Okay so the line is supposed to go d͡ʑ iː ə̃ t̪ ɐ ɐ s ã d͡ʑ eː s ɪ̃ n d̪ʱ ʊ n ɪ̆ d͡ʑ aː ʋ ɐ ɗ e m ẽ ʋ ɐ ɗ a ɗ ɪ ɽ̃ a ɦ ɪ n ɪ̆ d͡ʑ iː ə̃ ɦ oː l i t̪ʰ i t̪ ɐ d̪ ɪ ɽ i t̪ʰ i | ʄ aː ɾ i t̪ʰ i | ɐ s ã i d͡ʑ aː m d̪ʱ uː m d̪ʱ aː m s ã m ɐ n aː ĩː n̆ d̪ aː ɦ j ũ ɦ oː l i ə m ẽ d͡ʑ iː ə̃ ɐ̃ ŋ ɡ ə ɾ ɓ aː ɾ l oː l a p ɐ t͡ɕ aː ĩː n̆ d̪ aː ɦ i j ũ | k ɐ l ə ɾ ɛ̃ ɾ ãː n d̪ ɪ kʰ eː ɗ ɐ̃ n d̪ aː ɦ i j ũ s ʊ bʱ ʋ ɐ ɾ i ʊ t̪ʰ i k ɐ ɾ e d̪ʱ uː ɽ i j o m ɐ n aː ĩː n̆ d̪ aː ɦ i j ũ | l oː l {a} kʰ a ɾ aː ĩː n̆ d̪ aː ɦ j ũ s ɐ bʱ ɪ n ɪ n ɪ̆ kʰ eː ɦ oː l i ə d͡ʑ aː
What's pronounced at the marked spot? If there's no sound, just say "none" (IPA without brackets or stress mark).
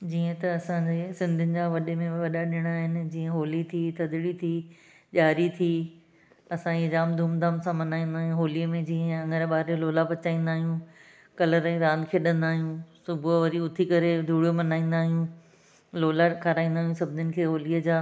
a